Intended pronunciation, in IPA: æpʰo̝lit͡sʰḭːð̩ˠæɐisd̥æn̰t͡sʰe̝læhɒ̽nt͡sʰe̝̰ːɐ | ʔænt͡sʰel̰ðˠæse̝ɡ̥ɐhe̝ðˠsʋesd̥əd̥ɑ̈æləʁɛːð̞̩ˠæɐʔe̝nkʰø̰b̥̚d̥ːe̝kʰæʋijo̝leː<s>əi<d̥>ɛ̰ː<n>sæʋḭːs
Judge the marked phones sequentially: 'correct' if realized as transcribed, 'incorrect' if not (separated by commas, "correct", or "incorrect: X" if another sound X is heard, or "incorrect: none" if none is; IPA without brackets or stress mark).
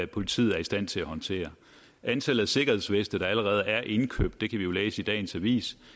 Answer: correct, correct, correct